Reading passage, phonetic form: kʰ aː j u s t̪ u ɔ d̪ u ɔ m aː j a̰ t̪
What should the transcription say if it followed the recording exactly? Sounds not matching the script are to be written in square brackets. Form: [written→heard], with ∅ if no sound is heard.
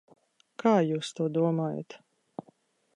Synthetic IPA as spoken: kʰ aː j [u→uː] s t̪ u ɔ d̪ u ɔ m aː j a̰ t̪

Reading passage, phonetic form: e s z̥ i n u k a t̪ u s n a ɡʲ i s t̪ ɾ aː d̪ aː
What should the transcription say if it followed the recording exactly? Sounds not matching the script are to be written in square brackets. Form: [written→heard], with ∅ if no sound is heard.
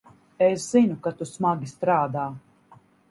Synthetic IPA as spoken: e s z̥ i n u k a t̪ u s [n→m] a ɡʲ i s t̪ ɾ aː d̪ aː

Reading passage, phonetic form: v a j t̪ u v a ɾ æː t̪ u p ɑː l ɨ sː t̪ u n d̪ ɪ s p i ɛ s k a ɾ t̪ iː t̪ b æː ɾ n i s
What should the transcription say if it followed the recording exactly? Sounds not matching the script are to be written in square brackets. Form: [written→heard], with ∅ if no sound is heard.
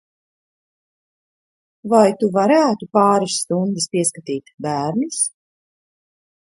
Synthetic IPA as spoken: v a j t̪ u v a ɾ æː t̪ u p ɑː [l→ɾ] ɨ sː t̪ u n d̪ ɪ s p i ɛ s k a [ɾ→∅] t̪ iː t̪ b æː ɾ n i s

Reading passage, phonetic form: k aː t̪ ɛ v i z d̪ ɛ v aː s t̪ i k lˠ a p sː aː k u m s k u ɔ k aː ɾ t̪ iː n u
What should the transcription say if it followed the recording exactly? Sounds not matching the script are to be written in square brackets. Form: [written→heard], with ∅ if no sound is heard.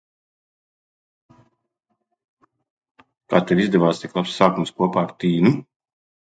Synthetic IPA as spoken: k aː t̪ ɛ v i z d̪ ɛ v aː s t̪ i k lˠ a p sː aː k u m s k u ɔ [k→p] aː ɾ t̪ iː n u

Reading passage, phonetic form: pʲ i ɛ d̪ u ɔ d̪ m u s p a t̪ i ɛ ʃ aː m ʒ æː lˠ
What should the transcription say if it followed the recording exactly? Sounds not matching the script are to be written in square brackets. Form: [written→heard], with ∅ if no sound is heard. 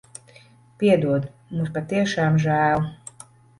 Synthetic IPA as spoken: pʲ i ɛ d̪ u ɔ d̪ m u s p a t̪ i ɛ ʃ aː m ʒ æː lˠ

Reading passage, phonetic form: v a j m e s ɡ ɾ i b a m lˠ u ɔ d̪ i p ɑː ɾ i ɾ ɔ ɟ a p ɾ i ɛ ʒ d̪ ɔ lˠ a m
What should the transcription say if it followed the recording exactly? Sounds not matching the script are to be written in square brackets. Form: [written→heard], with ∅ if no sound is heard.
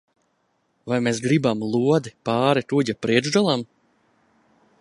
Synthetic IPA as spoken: v a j m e s ɡ ɾ i b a m lˠ u ɔ d̪ i p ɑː ɾ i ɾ [ɔ→u] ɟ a p ɾ i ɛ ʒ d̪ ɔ lˠ a m

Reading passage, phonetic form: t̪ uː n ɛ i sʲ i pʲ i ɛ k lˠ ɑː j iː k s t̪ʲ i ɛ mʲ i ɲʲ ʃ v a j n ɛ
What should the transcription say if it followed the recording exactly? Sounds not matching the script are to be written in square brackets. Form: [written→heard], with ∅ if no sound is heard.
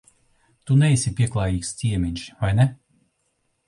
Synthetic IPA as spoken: t̪ [uː→u] n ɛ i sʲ i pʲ i ɛ k lˠ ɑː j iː k s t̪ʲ i ɛ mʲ i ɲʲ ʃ v a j n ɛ

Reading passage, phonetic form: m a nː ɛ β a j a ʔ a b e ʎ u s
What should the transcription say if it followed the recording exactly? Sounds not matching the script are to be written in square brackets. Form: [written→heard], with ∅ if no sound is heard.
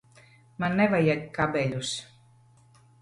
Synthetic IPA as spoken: m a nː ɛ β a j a [ʔ→k] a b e ʎ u s

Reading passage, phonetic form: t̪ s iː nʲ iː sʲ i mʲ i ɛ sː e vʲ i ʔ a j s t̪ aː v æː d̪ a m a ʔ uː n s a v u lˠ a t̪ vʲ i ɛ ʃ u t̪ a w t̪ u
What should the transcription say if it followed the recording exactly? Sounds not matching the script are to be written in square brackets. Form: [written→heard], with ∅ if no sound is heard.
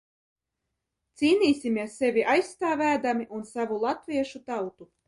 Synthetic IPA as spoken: t̪ s iː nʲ iː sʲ i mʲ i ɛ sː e vʲ i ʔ a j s t̪ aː v æː d̪ a m [a→i] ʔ [uː→u] n s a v u lˠ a t̪ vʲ i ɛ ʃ u t̪ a w t̪ u

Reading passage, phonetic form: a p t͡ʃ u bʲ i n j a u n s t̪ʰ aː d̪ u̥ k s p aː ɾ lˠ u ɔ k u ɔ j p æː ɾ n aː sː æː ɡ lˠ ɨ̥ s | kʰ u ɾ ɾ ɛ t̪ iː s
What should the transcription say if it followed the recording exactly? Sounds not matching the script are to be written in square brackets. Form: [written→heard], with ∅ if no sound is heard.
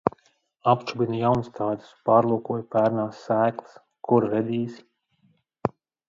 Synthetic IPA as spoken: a p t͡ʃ u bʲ i n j a [u→w] n s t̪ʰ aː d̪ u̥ [k→∅] s p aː ɾ lˠ u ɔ k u ɔ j p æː ɾ n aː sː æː [ɡ→k] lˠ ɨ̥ s | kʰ u ɾ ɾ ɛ [t̪→d̪] iː s

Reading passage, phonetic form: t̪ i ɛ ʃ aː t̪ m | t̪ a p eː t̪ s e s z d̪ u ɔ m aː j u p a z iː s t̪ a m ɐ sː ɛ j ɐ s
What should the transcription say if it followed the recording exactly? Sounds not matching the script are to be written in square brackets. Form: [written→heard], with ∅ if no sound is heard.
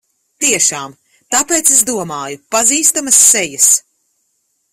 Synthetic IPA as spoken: t̪ i ɛ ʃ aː [t̪→∅] m | t̪ a p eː t̪ s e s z d̪ u ɔ m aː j u p a z iː s t̪ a m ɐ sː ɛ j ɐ s

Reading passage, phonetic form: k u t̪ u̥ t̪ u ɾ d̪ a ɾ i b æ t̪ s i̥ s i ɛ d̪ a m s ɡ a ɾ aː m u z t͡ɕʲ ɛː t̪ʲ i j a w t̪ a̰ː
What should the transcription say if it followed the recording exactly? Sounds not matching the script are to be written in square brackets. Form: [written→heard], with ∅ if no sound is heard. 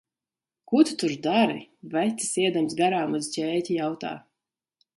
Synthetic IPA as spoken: k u t̪ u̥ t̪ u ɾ d̪ a ɾ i [b→v] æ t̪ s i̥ s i ɛ d̪ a m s ɡ a ɾ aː m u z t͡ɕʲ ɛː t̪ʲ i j a w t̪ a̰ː

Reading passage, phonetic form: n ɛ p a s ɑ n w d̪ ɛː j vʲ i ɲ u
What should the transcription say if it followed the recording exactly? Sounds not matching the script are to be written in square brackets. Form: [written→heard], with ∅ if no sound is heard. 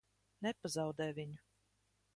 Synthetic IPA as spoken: n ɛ p a [s→z] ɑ [n→∅] w d̪ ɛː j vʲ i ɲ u

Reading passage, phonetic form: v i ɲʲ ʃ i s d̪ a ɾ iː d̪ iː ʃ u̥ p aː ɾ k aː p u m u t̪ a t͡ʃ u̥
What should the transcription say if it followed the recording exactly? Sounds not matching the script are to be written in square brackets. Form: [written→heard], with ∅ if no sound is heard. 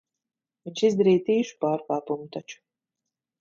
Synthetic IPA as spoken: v i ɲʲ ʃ i [s→z] d̪ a ɾ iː [d̪→t̪] iː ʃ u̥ p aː ɾ k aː p u m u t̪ a t͡ʃ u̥

